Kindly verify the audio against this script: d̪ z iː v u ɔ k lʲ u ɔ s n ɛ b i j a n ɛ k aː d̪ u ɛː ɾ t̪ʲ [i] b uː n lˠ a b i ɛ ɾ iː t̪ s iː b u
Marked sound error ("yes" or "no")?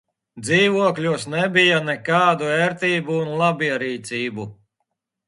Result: yes